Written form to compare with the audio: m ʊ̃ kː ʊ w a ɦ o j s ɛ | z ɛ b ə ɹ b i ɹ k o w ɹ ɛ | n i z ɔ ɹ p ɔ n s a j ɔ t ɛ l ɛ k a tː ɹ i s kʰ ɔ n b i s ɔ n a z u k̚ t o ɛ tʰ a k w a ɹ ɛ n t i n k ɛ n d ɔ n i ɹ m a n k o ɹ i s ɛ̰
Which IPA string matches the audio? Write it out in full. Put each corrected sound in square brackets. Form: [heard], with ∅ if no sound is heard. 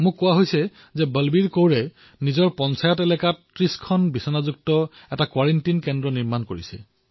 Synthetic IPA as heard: m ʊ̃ kː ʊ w a ɦ o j s ɛ | z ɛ b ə [l] b i ɹ k o w ɹ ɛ | n i z ɔ ɹ p ɔ n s a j ɔ t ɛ l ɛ k a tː ɹ i s kʰ ɔ n b i s ɔ n a z u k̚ t [ɔ] ɛ [t] a k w a ɹ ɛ n t i n k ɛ n d ɔ n i ɹ m a n k o ɹ i s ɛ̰